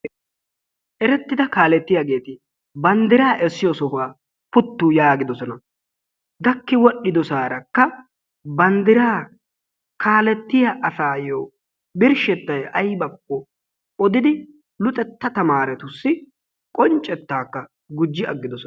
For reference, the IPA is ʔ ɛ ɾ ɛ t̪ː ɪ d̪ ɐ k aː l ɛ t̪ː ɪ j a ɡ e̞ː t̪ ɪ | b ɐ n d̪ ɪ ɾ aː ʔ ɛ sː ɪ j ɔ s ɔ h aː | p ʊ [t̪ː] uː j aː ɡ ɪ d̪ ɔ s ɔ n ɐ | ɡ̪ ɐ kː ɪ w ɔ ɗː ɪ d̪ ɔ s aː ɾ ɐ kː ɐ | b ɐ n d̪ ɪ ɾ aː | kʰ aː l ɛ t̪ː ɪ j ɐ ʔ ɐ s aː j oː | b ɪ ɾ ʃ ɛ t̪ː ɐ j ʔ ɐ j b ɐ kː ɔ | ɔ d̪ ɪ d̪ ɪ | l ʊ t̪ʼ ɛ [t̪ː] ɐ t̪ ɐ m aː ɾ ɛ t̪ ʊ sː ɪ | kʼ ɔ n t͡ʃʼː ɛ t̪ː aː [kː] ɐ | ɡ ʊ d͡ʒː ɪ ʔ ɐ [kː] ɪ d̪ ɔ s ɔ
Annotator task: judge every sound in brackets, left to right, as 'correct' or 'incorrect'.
correct, correct, correct, incorrect

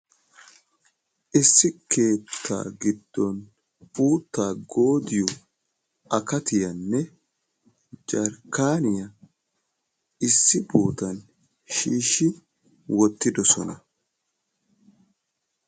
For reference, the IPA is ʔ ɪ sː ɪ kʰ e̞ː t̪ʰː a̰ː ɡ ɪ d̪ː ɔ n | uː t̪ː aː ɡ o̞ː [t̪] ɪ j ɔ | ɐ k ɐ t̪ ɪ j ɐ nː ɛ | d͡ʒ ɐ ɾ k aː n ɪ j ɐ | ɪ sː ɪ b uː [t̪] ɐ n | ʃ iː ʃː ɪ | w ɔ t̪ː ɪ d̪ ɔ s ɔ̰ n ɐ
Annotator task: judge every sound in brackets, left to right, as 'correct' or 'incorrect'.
incorrect, correct

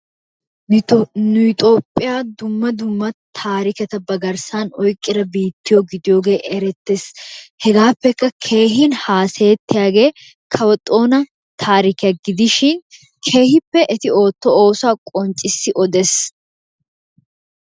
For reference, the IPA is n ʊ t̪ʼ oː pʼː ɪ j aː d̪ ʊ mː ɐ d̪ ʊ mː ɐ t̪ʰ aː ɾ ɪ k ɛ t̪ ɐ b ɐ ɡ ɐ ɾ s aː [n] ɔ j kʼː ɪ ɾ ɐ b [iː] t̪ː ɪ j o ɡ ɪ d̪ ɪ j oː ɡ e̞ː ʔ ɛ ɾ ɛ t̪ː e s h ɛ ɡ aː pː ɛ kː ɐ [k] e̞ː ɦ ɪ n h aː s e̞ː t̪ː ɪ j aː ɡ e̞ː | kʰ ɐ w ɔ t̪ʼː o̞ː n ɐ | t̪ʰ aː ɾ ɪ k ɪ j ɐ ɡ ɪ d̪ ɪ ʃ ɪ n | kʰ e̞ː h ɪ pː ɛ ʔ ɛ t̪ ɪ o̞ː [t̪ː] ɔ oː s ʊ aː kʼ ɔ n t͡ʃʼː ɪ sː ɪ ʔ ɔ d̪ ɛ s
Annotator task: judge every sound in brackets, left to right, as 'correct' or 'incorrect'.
correct, correct, incorrect, correct

